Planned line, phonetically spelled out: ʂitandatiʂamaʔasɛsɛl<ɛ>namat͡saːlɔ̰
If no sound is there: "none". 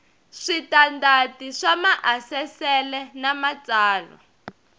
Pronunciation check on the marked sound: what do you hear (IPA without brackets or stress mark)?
ɛ